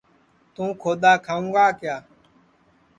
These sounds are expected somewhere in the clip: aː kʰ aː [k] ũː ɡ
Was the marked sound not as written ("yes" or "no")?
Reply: yes